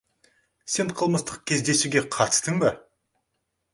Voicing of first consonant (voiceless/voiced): voiceless